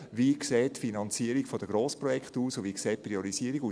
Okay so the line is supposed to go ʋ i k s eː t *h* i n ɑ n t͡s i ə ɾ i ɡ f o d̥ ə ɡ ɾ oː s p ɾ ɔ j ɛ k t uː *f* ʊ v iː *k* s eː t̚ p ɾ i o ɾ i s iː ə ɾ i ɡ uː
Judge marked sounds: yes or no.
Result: no, no, yes

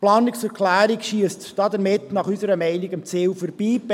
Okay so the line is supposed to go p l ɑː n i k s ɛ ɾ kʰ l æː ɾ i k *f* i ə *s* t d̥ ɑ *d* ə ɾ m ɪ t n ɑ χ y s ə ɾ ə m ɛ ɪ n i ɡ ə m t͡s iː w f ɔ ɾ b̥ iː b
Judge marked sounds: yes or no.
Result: no, yes, yes

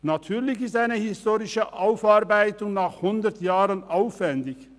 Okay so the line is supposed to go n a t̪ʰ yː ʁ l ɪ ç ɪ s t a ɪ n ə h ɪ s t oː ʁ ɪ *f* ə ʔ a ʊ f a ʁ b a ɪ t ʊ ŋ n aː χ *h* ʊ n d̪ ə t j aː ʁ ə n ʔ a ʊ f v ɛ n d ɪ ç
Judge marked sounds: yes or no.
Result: no, yes

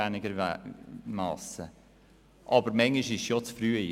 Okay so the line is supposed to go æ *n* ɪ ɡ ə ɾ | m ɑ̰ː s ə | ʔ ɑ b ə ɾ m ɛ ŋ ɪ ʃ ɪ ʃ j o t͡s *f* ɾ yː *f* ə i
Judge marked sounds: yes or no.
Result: yes, yes, no

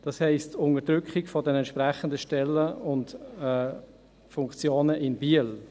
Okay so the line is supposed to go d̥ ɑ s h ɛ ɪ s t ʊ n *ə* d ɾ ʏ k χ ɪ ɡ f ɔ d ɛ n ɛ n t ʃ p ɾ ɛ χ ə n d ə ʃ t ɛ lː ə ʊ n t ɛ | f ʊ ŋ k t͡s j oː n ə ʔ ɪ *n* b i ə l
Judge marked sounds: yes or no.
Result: yes, yes

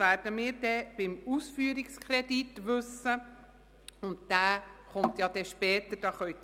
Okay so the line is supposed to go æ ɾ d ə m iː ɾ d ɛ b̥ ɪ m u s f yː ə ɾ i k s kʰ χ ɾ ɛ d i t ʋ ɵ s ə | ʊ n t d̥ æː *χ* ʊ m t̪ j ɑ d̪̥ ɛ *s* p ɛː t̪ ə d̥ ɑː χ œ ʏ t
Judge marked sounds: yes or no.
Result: yes, no

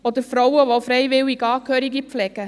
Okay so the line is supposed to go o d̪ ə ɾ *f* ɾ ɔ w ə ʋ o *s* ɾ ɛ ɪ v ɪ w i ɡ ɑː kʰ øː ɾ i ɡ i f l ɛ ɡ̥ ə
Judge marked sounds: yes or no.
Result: yes, no

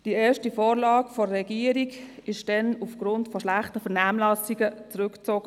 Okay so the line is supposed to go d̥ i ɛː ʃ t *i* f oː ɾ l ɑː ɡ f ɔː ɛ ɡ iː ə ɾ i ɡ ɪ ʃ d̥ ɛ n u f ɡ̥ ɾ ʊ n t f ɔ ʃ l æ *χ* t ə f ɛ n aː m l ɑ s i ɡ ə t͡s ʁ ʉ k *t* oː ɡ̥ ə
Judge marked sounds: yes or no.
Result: yes, yes, no

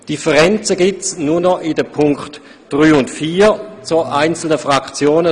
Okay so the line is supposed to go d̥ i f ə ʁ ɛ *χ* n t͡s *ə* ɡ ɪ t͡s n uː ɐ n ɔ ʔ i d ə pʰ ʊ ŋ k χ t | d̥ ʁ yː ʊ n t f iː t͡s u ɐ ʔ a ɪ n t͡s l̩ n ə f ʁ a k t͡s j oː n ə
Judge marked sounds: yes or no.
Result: no, yes

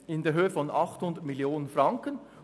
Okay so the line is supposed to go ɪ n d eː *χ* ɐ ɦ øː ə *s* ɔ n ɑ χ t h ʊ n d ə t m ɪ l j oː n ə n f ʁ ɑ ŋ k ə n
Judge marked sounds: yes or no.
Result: no, no

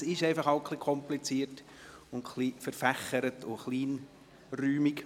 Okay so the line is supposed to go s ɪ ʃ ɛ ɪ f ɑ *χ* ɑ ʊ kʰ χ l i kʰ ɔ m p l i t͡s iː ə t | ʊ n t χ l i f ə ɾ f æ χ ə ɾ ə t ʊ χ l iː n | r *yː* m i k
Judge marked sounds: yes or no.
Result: yes, yes

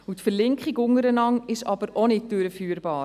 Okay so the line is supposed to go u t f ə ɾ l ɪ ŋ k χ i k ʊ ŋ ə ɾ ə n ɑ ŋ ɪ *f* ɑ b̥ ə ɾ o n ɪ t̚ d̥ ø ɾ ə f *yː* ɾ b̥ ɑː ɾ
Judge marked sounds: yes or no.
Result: no, yes

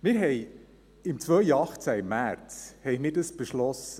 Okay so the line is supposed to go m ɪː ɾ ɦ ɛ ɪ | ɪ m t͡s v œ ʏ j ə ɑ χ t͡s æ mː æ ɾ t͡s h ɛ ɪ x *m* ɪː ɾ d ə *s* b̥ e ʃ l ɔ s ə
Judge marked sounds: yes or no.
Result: yes, yes

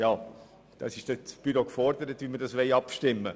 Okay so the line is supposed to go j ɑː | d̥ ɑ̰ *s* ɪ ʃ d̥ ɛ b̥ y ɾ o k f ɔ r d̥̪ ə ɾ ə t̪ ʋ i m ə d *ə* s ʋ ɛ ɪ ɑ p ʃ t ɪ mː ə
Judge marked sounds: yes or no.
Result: yes, no

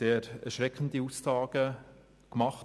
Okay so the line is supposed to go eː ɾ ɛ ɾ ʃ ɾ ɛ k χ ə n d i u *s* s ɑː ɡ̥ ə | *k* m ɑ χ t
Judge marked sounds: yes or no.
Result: yes, yes

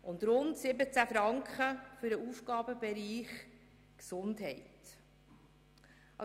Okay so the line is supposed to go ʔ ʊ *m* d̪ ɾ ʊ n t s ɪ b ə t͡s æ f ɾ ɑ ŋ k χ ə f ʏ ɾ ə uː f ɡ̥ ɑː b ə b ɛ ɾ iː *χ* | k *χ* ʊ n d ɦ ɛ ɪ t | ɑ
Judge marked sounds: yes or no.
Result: no, yes, no

